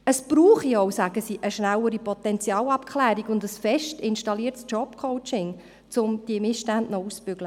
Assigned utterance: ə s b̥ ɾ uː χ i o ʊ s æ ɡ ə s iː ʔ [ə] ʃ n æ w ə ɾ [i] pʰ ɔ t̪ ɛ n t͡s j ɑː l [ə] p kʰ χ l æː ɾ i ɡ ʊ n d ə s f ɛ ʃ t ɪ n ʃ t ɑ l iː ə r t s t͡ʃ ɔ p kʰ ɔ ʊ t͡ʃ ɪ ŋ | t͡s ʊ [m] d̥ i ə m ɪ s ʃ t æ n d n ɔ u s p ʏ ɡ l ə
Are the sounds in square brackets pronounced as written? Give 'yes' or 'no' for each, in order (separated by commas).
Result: yes, yes, no, yes